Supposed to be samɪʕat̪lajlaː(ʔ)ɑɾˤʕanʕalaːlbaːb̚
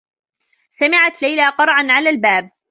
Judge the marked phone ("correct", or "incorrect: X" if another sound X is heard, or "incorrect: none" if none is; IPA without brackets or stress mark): incorrect: q